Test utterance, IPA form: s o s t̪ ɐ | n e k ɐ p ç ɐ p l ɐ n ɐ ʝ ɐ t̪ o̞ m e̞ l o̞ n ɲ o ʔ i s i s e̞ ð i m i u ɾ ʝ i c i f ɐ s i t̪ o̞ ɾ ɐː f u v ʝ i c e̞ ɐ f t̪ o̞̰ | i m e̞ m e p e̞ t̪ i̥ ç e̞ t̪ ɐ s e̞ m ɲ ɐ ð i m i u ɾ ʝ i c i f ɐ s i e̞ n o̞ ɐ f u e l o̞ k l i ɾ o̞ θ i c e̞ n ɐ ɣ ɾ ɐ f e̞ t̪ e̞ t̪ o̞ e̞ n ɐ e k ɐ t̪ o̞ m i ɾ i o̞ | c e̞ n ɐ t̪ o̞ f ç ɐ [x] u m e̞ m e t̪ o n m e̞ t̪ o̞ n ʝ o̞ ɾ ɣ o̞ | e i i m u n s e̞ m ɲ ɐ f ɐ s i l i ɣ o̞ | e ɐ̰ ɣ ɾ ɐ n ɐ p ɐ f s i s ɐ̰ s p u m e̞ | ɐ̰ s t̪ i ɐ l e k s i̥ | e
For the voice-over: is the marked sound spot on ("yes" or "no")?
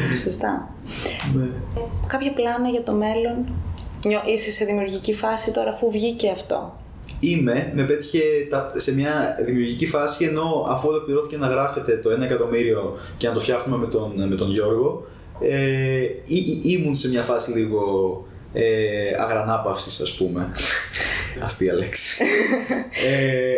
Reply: yes